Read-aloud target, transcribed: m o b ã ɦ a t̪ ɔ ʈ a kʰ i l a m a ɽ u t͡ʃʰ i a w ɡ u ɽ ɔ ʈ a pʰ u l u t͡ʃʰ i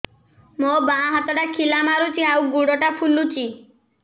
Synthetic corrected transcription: m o b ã ɦ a t̪ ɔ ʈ a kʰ i l a m a ɾ u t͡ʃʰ i a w ɡ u ɽ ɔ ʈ a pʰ u l u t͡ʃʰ i